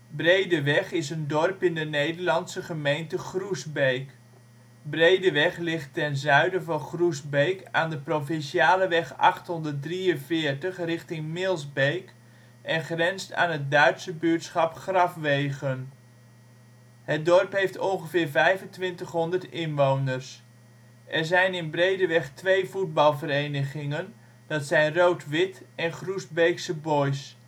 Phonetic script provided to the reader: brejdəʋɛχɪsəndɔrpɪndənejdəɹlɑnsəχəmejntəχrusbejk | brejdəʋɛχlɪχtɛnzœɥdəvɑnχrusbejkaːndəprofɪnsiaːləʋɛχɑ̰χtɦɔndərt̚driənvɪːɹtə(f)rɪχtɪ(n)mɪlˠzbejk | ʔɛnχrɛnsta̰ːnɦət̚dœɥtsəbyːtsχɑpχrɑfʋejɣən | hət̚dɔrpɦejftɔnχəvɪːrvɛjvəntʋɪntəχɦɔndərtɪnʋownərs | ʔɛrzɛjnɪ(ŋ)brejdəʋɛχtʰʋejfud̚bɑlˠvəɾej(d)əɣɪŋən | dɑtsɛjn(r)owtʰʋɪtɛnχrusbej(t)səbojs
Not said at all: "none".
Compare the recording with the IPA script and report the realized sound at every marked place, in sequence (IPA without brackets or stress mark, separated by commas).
χ, ŋ, n, n, r, k